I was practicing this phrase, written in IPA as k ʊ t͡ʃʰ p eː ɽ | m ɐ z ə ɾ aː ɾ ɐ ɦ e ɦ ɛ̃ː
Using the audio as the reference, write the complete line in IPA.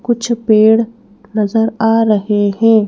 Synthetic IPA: k ʊ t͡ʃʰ p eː ɽ | n ɐ z ə ɾ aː ɾ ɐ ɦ e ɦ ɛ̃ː

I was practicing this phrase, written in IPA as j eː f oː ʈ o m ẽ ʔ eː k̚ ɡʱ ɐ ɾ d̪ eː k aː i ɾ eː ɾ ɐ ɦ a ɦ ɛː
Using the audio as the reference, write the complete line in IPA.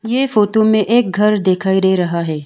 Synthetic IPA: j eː f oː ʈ o m ẽ ʔ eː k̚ ɡʱ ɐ ɾ d̪ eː kʰ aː i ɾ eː ɾ ɐ ɦ a ɦ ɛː

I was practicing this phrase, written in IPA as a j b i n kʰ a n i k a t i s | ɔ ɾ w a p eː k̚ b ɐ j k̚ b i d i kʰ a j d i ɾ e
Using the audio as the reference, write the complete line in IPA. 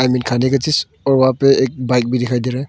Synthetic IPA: a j m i n kʰ a n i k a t i s | ɔ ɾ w a p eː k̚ b a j k̚ b i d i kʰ a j d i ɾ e

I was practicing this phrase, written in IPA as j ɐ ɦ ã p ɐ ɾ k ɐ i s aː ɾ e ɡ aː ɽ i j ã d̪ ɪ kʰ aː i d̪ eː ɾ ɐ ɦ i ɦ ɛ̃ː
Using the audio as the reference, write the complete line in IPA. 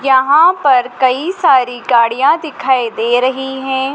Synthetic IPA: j ɐ ɦ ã p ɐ ɾ k ɐ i s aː ɾ i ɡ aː ɽ i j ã d̪ ɪ kʰ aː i d̪ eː ɾ ɐ ɦ i ɦ ɛ̃ː

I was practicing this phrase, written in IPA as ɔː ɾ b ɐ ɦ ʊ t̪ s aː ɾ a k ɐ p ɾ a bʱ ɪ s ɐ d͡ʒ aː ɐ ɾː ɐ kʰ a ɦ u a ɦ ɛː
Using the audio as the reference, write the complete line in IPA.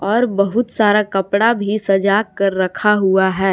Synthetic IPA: ɔː ɾ b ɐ ɦ ʊ t̪ s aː ɾ a k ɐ p ɽ a bʱ i s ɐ d͡ʒ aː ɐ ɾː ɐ kʰ a ɦ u a ɦ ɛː

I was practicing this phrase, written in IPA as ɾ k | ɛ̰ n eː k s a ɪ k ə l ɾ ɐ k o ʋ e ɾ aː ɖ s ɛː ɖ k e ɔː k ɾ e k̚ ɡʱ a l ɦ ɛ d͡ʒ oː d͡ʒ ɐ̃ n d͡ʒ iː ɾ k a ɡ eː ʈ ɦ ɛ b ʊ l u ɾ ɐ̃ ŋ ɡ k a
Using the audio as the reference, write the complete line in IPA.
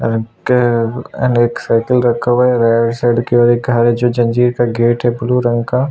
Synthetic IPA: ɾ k | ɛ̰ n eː k s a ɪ k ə l ɾ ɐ kʰ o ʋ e ɾ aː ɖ s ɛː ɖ k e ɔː ɾ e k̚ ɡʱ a ɾ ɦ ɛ d͡ʒ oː d͡ʒ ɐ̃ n d͡ʒ iː ɾ k a ɡ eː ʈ ɦ ɛ b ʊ l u ɾ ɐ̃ ŋ ɡ k a

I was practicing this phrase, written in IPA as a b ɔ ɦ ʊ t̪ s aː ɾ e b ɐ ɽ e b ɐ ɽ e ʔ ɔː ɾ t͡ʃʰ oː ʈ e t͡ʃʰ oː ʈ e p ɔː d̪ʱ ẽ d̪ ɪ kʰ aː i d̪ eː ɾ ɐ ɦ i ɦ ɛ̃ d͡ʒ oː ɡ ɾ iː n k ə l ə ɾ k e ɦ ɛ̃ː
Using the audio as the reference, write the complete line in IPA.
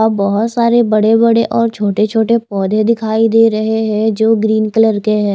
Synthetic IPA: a b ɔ ɦ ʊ t̪ s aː ɾ e b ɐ ɽ e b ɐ ɽ e ʔ ɔː ɾ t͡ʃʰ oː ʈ e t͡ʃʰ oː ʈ e p ɔː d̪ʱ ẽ d̪ ɪ kʰ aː i d̪ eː ɾ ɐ ɦ e ɦ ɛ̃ d͡ʒ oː ɡ ɾ iː n k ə l ə ɾ k e ɦ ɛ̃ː

